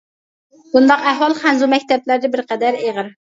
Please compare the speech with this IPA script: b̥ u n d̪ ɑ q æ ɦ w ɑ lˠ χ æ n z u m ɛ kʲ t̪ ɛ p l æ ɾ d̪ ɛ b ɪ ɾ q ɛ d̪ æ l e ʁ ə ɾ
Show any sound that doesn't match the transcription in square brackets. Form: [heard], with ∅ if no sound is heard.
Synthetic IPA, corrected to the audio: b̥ u n d̪ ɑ q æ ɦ w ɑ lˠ χ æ n z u m ɛ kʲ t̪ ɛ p l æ ɾ d̪ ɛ b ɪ ɾ q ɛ d̪ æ [ɾ] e ʁ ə ɾ

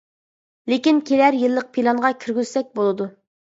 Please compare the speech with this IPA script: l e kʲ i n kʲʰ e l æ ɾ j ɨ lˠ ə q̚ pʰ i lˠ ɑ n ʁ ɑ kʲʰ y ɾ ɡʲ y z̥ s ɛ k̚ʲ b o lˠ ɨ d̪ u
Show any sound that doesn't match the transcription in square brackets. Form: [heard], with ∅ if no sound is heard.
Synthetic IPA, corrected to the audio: l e kʲ i n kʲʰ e l æ ɾ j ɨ [lˠː] ə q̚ pʰ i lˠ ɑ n ʁ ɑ kʲʰ y ɾ ɡʲ y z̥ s ɛ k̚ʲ b o lˠ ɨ d̪ u

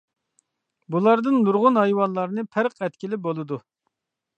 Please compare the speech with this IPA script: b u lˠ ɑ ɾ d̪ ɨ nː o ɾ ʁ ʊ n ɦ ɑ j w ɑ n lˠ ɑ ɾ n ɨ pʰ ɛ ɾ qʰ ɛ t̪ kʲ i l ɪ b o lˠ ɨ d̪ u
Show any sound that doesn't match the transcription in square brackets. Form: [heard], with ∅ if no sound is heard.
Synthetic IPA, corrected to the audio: b u lˠ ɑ ɾ d̪ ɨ nː [u] ɾ ʁ ʊ n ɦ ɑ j w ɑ n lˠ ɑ ɾ n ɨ pʰ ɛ ɾ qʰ ɛ t̪ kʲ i l ɪ b o lˠ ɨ d̪ u

